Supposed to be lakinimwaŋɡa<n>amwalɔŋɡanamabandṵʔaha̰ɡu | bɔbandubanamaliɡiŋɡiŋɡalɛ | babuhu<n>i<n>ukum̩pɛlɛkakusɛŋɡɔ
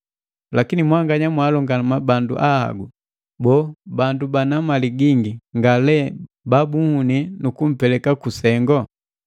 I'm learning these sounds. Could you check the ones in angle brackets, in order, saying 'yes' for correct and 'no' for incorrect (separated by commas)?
no, yes, yes